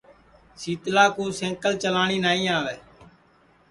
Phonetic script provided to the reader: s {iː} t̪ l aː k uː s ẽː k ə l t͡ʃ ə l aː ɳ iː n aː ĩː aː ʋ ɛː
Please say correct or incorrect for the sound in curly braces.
correct